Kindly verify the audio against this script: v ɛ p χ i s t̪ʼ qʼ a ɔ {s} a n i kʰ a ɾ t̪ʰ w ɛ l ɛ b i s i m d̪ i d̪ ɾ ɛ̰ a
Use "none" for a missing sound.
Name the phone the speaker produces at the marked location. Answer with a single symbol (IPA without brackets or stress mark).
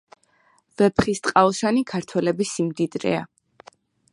ʃ